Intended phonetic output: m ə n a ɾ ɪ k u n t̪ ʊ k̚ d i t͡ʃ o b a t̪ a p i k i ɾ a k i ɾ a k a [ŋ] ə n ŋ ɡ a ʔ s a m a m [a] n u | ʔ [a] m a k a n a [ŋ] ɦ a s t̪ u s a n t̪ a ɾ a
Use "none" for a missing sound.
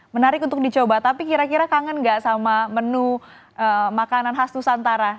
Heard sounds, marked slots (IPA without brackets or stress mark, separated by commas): ŋ, ə, ə, n